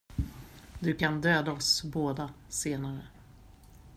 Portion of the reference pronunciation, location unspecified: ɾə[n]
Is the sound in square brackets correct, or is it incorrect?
incorrect